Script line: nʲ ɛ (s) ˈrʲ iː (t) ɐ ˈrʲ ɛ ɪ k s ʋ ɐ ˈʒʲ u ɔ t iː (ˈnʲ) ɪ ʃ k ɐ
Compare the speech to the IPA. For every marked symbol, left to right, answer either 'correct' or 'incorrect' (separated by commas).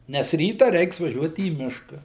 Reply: correct, correct, incorrect